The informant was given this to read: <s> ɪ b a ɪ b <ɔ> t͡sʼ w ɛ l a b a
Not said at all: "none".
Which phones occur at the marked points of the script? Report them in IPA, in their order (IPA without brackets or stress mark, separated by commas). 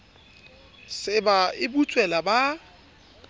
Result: s, u